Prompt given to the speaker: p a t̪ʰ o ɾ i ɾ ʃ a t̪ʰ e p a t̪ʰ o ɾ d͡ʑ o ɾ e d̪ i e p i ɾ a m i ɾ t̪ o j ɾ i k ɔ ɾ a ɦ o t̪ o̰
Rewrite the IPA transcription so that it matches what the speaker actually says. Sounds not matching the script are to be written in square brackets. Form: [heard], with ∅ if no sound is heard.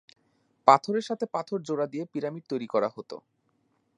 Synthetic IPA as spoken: p a t̪ʰ o ɾ [e] ɾ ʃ a t̪ʰ e p a t̪ʰ o ɾ d͡ʑ o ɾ [a] d̪ i e p i ɾ a m i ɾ t̪ o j ɾ i k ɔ ɾ a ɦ o t̪ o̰